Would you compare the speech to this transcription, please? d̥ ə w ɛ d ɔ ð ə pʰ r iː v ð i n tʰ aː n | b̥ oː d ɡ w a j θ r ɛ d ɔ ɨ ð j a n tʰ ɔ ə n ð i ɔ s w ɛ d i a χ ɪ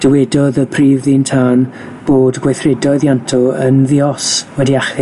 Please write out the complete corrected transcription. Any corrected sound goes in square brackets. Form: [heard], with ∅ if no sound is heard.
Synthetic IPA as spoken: d̥ ə w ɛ d ɔ ð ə pʰ r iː v ð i n tʰ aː n | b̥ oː d ɡ w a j θ r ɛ d ɔ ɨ ð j a n tʰ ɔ ə n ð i ɔ s w ɛ d i a χ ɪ

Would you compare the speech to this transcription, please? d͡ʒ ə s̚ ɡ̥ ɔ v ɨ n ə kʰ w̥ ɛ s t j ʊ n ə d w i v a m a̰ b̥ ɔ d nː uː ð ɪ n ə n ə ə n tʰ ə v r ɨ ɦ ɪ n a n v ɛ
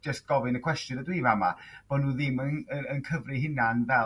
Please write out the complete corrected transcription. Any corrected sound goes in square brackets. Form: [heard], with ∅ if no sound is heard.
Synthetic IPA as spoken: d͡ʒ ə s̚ ɡ̥ ɔ v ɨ n ə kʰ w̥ ɛ s t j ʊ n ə d w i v a m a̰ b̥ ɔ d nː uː ð ɪ [m] ə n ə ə n [kʰ] ə v r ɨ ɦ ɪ n a n v ɛ

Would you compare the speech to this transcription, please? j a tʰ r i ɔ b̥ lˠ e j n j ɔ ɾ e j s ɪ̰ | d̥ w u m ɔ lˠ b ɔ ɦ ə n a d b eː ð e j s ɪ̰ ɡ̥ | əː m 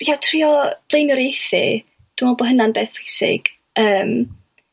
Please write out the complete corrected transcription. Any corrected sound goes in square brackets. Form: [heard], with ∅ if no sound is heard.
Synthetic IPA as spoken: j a tʰ r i ɔ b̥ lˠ e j n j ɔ ɾ e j [θ] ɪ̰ | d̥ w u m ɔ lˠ b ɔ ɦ ə n a [n] b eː [θ] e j s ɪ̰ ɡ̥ | əː m

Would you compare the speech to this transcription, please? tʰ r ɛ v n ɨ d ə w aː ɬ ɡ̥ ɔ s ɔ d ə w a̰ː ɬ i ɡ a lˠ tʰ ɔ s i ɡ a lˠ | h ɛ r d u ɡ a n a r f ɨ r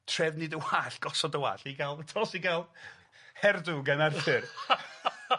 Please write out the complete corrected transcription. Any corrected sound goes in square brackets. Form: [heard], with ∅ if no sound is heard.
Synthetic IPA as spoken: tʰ r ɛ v n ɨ d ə w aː ɬ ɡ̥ ɔ s ɔ d ə w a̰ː ɬ i ɡ a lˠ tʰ ɔ s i ɡ a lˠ | h ɛ r d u ɡ a n a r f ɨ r

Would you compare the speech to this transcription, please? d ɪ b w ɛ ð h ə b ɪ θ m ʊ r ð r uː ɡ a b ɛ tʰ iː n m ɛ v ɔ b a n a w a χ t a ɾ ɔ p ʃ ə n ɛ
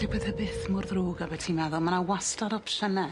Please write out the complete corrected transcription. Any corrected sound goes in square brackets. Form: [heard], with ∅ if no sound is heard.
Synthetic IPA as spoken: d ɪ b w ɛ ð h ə b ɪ θ m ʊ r ð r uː ɡ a b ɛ tʰ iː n m ɛ [ð] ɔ [m] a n a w a [s] t a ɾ ɔ p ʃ ə n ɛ

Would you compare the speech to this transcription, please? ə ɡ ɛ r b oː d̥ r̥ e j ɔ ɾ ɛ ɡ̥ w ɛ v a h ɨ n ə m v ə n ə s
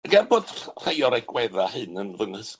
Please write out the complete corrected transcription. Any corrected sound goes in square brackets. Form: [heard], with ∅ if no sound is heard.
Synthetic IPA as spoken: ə ɡ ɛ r b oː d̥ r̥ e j ɔ ɾ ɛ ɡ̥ w ɛ [ð] a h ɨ n ə [n] v ə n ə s

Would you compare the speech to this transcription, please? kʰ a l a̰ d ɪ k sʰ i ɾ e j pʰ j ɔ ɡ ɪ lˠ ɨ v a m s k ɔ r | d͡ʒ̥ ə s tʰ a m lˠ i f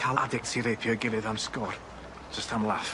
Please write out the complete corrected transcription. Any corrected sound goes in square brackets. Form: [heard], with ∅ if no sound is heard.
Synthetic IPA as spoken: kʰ a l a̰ d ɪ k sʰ i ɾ e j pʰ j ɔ ɡ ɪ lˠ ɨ [ð] a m s k ɔ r | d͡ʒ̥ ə s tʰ a m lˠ [a] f

